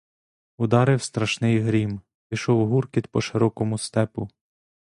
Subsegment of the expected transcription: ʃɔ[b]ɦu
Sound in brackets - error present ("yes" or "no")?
yes